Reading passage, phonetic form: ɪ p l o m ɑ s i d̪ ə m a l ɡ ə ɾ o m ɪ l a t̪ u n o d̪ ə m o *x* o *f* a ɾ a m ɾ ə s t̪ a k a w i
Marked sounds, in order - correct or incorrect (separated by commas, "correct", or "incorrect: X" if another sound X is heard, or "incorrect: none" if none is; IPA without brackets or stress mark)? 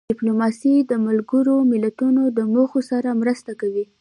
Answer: correct, incorrect: s